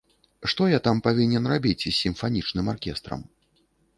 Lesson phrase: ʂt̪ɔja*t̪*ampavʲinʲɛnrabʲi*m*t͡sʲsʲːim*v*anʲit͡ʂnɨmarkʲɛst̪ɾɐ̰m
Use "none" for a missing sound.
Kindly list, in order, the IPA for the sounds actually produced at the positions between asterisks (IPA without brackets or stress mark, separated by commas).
t̪, none, f